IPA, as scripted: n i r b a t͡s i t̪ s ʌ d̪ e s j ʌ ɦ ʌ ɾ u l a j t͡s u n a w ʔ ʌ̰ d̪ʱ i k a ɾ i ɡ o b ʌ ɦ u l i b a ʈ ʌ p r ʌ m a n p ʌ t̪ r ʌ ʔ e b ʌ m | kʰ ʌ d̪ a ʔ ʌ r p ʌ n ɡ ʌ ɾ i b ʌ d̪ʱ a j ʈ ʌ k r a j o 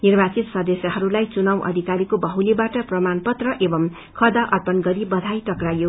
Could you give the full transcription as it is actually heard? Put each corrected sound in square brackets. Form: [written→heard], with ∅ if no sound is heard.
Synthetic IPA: n i r b a t͡s i t̪ s ʌ d̪ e s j ʌ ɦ ʌ ɾ u l a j t͡s u n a w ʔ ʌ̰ d̪ʱ i k a ɾ i [ɡ→k] o b ʌ ɦ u l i b a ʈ ʌ p r ʌ m a n p ʌ t̪ r ʌ ʔ e b ʌ m | kʰ ʌ d̪ a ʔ ʌ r p ʌ n ɡ ʌ ɾ i b ʌ d̪ʱ a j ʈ ʌ k r a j o

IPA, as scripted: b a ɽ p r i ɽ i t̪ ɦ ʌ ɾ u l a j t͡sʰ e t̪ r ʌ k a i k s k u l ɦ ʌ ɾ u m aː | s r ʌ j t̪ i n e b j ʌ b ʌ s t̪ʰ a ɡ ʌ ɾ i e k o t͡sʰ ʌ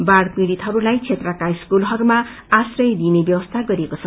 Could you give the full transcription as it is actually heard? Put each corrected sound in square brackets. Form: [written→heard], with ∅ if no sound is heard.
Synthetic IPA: b a ɽ p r i ɽ i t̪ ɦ ʌ ɾ u l a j t͡sʰ e t̪ r ʌ k a i [k→∅] s k u l ɦ ʌ ɾ u m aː | s r ʌ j [t̪→d̪] i n e b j ʌ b ʌ s t̪ʰ a ɡ ʌ ɾ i e k o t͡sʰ ʌ

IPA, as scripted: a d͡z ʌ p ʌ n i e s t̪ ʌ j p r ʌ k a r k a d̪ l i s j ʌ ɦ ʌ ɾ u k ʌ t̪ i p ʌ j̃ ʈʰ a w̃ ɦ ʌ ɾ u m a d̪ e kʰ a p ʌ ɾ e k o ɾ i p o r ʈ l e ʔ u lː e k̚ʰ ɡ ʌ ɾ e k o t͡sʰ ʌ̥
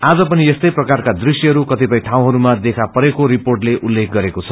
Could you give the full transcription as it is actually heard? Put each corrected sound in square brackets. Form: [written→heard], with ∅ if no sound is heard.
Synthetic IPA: a d͡z ʌ p ʌ n i e s t̪ ʌ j p r ʌ k a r k a d̪ [l→r] i s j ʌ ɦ ʌ ɾ u k ʌ t̪ i p ʌ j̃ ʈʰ a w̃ ɦ ʌ ɾ u m a d̪ e kʰ a p ʌ ɾ e k o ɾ i p o r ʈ l e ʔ u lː e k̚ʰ ɡ ʌ ɾ e k o t͡sʰ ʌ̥

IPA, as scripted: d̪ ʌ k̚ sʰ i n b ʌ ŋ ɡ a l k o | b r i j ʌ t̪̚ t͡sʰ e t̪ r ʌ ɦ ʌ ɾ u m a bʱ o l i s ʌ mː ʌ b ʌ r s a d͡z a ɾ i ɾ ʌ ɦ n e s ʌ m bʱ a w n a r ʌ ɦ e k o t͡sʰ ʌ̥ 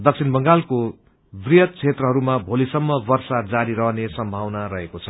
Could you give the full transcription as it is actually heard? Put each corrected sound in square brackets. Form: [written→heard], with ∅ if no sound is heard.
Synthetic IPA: d̪ ʌ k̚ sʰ i n b ʌ ŋ ɡ a l k o | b r i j ʌ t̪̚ t͡sʰ e t̪ r ʌ ɦ ʌ ɾ u m a bʱ o l i s ʌ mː ʌ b ʌ r s a d͡z a ɾ i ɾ ʌ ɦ n e s ʌ m bʱ a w n a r ʌ ɦ e k o t͡sʰ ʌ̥

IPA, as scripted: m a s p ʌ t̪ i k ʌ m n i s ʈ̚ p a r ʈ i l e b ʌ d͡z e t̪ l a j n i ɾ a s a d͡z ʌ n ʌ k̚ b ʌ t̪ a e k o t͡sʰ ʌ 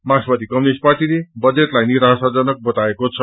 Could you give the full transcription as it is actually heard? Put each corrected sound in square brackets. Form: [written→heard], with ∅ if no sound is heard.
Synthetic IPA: m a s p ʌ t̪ i k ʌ m n i s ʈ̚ p a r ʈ i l e b ʌ d͡z e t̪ l a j n i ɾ a s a d͡z ʌ n ʌ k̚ b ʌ t̪ a e k o t͡sʰ ʌ

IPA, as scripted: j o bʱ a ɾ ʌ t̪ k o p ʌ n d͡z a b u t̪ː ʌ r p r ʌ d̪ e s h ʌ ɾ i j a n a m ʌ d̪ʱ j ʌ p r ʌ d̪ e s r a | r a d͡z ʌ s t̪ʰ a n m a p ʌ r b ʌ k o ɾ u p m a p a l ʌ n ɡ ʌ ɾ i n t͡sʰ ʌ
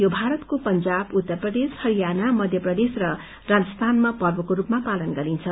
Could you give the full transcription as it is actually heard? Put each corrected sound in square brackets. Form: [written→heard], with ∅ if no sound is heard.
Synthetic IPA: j o bʱ a ɾ ʌ t̪ k o p ʌ n d͡z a b u t̪ː ʌ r p r ʌ d̪ e s h ʌ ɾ i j a n a m ʌ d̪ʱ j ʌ p r ʌ d̪ e s r [a→ʌ] | r a d͡z ʌ s t̪ʰ a n m a p ʌ r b ʌ k o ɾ u p m a p a l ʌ n ɡ ʌ ɾ i n t͡sʰ ʌ

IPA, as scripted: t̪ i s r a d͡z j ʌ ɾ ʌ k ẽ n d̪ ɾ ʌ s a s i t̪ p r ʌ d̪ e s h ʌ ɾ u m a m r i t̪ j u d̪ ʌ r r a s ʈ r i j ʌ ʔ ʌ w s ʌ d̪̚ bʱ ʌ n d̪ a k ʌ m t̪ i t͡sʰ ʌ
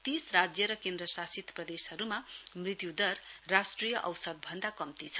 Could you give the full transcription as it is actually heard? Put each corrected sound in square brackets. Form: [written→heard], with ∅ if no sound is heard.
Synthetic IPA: t̪ i s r a d͡z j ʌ ɾ ʌ k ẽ n d̪ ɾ ʌ s a s i t̪ p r ʌ d̪ e s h ʌ ɾ u m a m r i t̪ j u d̪ ʌ r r a s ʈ r i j ʌ ʔ ʌ w s ʌ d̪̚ bʱ ʌ n d̪ a k ʌ m t̪ i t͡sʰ ʌ

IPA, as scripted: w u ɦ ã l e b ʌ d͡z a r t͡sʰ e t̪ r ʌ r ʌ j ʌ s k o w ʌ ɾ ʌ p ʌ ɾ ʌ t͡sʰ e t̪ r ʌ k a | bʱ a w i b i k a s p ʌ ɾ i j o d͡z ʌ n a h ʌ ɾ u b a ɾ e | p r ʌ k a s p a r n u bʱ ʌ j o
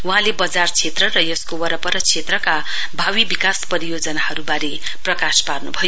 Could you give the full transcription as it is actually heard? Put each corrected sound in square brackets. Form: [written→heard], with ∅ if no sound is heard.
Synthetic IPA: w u ɦ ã l e b ʌ d͡z a r t͡sʰ e t̪ r ʌ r ʌ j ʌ s k o w ʌ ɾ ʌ p ʌ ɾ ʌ t͡sʰ e t̪ r ʌ k a | bʱ a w i b i k a s p ʌ ɾ i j o d͡z ʌ n a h ʌ ɾ u b a ɾ e | p r ʌ k a s p a r n u bʱ ʌ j o

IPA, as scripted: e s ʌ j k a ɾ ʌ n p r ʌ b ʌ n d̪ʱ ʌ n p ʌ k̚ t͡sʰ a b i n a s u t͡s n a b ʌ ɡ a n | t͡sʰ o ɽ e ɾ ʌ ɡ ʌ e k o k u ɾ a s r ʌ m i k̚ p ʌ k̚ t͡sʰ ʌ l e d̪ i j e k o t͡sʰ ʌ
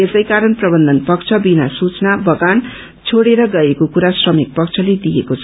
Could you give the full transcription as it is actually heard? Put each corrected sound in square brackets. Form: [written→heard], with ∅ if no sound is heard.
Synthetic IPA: e s ʌ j k a ɾ ʌ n p r ʌ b ʌ n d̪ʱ ʌ n p ʌ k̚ t͡sʰ [a→ʌ] b i n a s u t͡s n a b ʌ ɡ a n | t͡sʰ o ɽ e ɾ ʌ ɡ ʌ e k o k u ɾ a s r ʌ m i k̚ p ʌ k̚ t͡sʰ ʌ l e d̪ i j e k o t͡sʰ ʌ

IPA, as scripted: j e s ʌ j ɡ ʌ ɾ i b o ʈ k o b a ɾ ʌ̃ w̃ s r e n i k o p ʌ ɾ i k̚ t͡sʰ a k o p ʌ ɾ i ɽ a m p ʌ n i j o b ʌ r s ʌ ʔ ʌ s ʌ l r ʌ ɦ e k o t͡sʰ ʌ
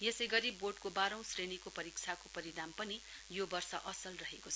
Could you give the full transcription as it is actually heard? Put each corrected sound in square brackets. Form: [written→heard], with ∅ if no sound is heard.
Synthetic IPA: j e s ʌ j ɡ ʌ ɾ i b o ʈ k o b a ɾ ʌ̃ w̃ s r e n i k o p ʌ ɾ i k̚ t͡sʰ a k o p ʌ ɾ i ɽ a m p ʌ n i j o b ʌ r s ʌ ʔ ʌ s ʌ l r ʌ ɦ e k o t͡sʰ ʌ

